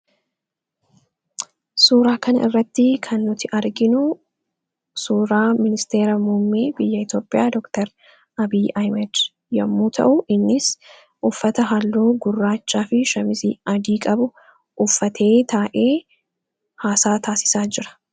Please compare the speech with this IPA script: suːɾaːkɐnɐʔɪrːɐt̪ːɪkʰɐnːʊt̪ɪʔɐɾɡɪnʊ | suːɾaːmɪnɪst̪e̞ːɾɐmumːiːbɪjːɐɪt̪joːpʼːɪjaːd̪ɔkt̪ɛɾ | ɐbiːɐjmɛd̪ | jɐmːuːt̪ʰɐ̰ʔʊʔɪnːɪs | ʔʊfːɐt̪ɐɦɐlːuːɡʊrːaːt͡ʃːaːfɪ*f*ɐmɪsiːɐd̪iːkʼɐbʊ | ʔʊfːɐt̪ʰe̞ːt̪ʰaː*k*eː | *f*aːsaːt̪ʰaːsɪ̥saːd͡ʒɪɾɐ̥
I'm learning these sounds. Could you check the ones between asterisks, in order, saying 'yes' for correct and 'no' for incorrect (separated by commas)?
no, no, no